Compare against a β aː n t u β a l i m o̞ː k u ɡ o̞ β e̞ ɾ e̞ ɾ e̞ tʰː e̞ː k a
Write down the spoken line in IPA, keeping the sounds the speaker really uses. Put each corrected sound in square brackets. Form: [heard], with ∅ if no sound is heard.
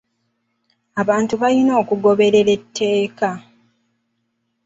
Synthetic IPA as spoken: a β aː n t u β a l i [n] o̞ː k u ɡ o̞ β e̞ ɾ e̞ ɾ e̞ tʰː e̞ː k a

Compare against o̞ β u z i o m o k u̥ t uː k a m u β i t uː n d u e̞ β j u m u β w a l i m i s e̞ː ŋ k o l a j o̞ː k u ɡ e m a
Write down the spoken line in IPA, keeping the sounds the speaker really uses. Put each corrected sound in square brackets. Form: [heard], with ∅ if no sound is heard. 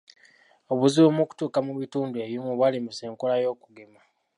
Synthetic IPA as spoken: o̞ β u z i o m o k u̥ t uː k a m u β i t uː n d u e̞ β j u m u β w a l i m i s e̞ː ŋ k o l a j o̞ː k u ɡ e m a

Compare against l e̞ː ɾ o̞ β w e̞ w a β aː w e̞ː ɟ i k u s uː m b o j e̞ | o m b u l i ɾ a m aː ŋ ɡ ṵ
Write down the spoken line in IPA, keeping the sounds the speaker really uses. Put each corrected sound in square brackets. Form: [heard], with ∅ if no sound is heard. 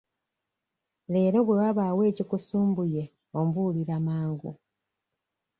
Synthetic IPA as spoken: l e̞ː ɾ o̞ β w e̞ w a β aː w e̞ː [c] i k u s uː m b [u] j e̞ | o m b u l i ɾ a m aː ŋ ɡ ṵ

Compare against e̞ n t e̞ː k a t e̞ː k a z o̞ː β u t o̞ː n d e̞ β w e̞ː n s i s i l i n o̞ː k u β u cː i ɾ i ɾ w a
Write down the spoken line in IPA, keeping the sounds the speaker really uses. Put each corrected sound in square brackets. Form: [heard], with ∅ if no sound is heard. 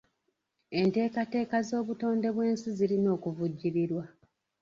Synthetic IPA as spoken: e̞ n t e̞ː k a t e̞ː k a z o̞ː β u t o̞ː n d e̞ β w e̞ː n s i [z] i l i n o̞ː k u [v] u [ɟː] i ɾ i ɾ w a

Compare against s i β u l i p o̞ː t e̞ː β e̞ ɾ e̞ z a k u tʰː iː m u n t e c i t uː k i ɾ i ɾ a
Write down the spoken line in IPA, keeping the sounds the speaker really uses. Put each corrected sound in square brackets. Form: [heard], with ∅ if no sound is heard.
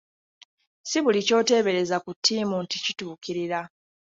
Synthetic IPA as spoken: s i β u l i [c] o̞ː t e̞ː β e̞ ɾ e̞ z a k u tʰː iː m u n t [i] c i t uː k i ɾ i ɾ a

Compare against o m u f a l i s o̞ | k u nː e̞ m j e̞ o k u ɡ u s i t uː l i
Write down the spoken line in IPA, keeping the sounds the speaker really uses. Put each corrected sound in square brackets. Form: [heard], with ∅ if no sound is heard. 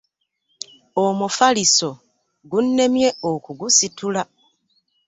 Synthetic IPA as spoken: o m u f a l i s o̞ | [ɡ] u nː e̞ m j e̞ o k u ɡ u s i t [u] l [a]

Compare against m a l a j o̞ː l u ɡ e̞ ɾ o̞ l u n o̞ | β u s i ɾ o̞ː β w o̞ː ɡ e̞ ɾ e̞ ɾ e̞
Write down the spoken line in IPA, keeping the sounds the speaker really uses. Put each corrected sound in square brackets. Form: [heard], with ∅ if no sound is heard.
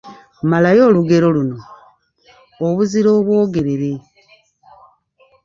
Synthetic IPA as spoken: m a l a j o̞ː l u ɡ e̞ ɾ o̞ l u n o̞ | β u [z] i ɾ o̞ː β w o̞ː ɡ e̞ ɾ e̞ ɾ e̞

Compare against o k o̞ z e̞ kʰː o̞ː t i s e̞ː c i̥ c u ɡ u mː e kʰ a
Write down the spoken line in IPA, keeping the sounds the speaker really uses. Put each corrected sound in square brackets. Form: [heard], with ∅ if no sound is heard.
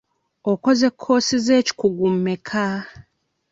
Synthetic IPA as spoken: o k o̞ z e̞ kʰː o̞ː [s] i [z] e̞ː c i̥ [k] u ɡ u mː e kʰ a

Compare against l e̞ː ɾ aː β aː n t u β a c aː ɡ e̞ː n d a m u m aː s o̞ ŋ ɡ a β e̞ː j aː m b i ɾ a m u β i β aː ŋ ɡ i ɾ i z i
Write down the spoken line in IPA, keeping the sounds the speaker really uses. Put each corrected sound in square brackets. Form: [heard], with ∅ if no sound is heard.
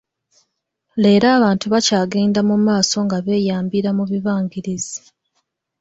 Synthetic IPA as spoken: l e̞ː ɾ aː β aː n t u β a c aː ɡ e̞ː n d a m u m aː s o̞ ŋ ɡ a β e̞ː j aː m b i ɾ a m u β i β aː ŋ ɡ i ɾ i z i

